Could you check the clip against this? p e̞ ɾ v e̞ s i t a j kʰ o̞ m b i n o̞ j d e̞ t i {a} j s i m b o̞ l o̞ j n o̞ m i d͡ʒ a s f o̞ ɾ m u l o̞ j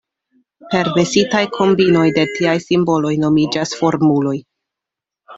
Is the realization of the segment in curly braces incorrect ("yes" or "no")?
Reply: no